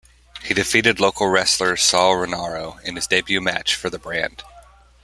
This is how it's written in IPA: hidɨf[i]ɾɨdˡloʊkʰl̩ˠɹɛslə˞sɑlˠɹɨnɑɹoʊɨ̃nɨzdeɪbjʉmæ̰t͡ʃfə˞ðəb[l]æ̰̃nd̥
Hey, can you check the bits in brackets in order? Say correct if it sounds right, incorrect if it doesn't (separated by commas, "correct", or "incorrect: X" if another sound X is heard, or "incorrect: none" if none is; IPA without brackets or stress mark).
correct, incorrect: ɹ